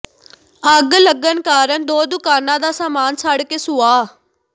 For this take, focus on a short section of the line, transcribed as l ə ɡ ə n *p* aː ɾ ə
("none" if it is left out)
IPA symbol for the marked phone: k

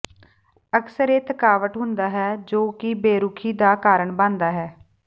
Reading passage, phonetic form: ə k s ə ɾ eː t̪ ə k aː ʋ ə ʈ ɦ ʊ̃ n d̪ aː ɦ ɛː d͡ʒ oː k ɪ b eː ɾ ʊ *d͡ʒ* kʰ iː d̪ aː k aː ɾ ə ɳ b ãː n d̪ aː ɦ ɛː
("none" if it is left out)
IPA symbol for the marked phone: none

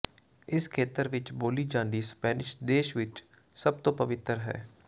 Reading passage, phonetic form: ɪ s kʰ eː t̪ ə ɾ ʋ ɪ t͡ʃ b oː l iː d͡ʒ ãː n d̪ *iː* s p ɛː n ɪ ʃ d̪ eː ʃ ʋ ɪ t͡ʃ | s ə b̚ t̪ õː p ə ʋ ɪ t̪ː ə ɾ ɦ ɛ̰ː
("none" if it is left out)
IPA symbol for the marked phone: iː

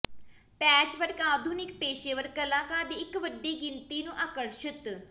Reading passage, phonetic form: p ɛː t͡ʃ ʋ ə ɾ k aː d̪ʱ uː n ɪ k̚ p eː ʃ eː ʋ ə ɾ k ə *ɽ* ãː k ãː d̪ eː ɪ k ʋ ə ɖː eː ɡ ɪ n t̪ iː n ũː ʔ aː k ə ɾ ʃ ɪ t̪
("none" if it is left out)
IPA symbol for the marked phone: l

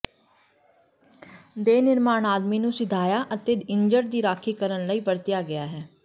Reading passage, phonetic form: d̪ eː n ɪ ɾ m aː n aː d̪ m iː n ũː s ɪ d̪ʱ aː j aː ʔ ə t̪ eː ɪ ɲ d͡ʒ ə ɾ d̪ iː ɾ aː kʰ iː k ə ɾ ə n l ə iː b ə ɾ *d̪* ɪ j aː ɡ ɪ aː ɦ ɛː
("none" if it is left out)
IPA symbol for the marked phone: t̪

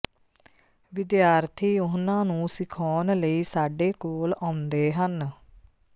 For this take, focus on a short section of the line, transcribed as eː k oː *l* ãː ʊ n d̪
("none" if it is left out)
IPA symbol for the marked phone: l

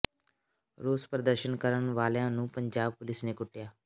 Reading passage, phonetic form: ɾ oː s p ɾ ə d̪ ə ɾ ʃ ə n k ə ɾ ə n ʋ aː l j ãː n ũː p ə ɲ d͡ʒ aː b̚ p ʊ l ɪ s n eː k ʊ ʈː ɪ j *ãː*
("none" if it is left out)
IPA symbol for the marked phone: aː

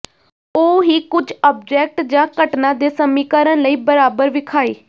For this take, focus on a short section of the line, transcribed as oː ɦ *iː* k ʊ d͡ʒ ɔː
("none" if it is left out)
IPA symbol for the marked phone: iː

